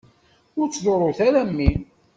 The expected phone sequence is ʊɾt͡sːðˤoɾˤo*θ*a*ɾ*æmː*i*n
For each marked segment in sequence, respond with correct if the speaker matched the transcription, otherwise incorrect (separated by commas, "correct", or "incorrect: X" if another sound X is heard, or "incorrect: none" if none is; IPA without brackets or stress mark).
correct, correct, correct